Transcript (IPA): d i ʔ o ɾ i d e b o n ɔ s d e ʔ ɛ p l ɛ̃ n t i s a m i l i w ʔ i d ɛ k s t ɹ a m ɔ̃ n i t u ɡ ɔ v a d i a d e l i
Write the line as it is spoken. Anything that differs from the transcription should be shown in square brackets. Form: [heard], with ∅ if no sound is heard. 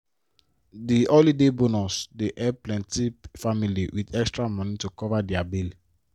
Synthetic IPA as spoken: d i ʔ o [l] i d e b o n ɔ s d e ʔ ɛ p l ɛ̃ n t i [f] a m i l i w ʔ i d ɛ k s t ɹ a m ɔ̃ n i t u [k] ɔ v a d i a [b] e l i